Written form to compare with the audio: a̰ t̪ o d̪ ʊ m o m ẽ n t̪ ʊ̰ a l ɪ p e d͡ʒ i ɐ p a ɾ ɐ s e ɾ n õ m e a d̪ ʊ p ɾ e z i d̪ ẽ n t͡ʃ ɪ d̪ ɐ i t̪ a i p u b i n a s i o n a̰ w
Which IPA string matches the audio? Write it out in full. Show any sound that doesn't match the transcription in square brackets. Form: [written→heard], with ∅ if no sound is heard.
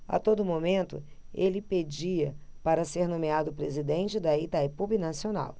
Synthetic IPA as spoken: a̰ t̪ o d̪ ʊ m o m ẽ n t̪ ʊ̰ [a→e] l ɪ p e d͡ʒ i ɐ p a ɾ ɐ s e ɾ n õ m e a d̪ ʊ p ɾ e z i d̪ ẽ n t͡ʃ ɪ d̪ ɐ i t̪ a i p u b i n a s i o n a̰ w